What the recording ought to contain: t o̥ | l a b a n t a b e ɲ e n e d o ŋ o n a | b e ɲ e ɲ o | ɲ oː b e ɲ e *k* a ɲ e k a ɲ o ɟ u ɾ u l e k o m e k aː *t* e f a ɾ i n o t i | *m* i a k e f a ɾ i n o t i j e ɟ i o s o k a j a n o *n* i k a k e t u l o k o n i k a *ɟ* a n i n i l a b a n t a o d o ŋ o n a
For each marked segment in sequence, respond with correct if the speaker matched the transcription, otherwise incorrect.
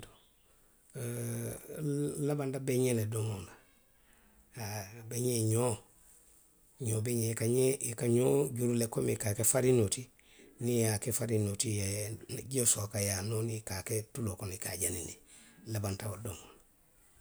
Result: correct, incorrect, incorrect, correct, correct

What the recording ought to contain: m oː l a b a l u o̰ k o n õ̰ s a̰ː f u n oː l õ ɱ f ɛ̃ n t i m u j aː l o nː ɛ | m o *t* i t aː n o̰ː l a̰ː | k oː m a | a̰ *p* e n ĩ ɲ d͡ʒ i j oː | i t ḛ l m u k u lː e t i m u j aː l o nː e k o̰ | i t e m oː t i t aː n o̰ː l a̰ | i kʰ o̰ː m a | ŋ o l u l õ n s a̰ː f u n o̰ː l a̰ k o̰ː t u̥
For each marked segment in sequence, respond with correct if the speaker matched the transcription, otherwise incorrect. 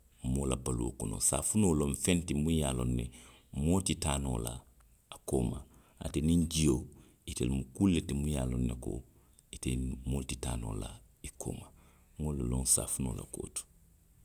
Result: correct, incorrect

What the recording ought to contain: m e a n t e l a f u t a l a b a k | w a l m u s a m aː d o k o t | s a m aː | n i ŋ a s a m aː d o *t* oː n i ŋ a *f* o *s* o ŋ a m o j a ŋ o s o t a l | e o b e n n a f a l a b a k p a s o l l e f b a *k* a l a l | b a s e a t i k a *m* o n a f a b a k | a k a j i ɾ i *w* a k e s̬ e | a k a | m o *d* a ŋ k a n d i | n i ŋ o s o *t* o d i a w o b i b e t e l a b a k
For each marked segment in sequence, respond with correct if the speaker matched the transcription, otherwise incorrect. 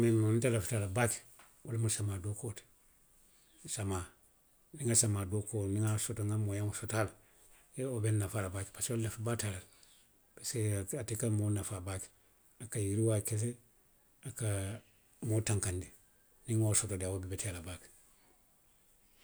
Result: incorrect, incorrect, incorrect, incorrect, correct, correct, incorrect, correct

